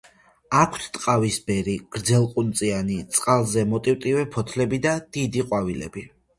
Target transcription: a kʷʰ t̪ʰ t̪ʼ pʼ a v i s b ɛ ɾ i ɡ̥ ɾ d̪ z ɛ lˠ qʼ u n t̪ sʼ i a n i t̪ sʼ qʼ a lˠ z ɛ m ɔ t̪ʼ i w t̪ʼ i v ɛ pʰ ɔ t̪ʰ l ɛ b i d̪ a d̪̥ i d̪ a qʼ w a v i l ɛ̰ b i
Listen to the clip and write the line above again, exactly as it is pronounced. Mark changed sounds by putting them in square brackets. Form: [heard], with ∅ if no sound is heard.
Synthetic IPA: a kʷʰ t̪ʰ t̪ʼ [qʼ] a v i s b ɛ ɾ i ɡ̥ ɾ d̪ z ɛ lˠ qʼ u n t̪ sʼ i a n i t̪ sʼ qʼ a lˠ z ɛ m ɔ t̪ʼ i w t̪ʼ i v ɛ pʰ ɔ t̪ʰ l ɛ b i d̪ a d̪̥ i d̪ [i] qʼ w a v i l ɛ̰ b i